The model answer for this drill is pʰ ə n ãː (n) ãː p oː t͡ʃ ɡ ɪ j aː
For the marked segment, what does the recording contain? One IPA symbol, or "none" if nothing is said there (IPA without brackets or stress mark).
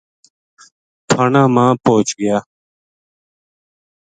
m